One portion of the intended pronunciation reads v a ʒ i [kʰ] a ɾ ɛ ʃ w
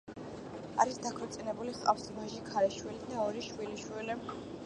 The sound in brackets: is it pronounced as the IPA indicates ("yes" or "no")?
yes